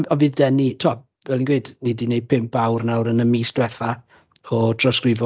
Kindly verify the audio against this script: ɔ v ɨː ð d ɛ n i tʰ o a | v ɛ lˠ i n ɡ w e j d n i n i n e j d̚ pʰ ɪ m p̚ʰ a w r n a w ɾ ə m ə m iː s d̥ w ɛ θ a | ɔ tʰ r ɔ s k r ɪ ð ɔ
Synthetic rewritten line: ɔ v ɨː ð d ɛ n i tʰ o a | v ɛ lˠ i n ɡ w e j d n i d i n e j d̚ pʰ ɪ m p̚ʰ a w r n a w ɾ ə n ə m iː s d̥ w ɛ θ a | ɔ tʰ r ɔ s k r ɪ v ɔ